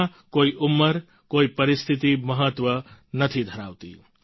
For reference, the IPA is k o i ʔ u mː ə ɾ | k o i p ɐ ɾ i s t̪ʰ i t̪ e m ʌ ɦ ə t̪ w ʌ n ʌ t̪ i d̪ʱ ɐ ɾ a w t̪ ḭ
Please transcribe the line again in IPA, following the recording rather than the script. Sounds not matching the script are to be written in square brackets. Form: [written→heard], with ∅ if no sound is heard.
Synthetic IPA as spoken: k o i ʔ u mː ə ɾ | k o i p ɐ ɾ i s t̪ʰ i t̪ [e→i] m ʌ ɦ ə t̪ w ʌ n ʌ [t̪→t̪ʰ] i d̪ʱ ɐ ɾ a w t̪ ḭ